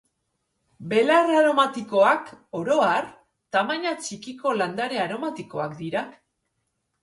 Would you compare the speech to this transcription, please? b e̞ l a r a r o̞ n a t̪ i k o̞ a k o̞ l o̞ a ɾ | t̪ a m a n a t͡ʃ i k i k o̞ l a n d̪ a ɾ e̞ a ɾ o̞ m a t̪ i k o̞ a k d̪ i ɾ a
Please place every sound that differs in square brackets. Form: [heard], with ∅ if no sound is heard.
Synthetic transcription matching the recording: b e̞ l a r a [ɾ] o̞ [m] a t̪ i k o̞ a k o̞ [ɾ] o̞ a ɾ | t̪ a m a [ɲ] a t͡ʃ i k i k o̞ l a n d̪ a ɾ e̞ a ɾ o̞ m a t̪ i k o̞ a k d̪ i ɾ a